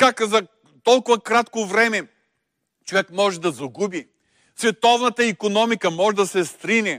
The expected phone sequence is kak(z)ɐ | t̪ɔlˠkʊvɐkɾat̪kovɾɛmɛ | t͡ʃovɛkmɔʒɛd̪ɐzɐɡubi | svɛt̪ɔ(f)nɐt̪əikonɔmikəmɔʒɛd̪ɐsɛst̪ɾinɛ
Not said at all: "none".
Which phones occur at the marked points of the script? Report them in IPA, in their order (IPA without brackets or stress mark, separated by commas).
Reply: z, v